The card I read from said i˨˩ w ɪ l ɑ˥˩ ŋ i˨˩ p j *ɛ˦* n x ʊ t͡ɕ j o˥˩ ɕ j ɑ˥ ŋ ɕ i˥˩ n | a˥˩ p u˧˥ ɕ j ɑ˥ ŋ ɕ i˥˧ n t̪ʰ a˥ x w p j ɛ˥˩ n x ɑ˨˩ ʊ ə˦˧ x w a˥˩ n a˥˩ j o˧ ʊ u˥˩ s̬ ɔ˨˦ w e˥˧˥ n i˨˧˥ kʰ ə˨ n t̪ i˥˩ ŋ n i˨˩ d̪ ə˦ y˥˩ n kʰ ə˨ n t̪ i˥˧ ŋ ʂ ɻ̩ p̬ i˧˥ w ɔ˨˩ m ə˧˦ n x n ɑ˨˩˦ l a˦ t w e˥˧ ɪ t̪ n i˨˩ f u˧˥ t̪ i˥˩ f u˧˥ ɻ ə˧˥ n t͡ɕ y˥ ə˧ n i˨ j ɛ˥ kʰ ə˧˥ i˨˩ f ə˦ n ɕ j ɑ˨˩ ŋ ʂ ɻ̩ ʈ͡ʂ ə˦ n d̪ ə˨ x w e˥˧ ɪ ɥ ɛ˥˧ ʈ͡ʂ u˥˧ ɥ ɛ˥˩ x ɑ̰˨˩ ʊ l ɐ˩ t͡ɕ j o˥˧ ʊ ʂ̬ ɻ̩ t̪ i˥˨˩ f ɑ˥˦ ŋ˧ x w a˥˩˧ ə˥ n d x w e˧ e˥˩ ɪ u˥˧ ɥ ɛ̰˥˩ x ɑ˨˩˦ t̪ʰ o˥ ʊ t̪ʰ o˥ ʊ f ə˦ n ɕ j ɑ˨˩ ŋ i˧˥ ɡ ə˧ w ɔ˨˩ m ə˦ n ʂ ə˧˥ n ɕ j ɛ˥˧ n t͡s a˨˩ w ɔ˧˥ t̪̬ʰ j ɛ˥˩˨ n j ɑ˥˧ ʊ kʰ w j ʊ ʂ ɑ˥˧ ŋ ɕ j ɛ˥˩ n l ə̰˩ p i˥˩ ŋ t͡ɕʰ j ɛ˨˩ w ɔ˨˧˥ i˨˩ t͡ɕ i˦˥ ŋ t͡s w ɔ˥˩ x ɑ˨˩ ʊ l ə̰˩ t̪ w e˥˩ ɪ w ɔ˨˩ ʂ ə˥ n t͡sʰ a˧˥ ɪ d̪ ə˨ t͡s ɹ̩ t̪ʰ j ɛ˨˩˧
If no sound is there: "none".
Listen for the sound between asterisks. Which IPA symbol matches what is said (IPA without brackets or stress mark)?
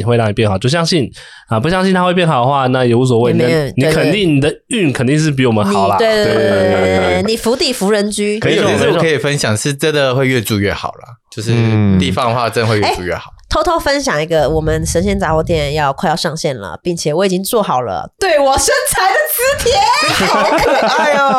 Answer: ɛ˥˩